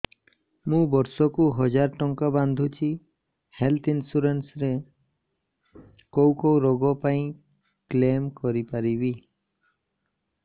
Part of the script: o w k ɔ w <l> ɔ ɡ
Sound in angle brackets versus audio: incorrect: ɾ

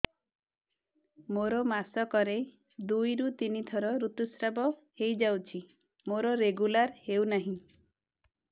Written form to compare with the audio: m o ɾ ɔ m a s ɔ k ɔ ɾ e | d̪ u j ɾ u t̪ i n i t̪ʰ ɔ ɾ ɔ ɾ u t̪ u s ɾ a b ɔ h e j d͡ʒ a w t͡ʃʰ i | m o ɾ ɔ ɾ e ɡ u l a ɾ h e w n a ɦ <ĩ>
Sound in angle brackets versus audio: correct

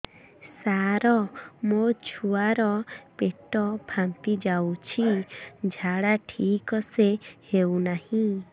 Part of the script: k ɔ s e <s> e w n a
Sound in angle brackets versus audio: incorrect: h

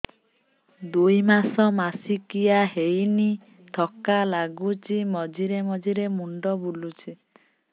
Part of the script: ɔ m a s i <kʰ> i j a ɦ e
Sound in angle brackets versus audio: incorrect: k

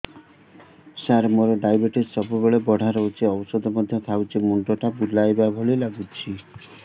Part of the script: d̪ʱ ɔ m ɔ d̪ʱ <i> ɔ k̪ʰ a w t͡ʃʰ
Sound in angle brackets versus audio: incorrect: j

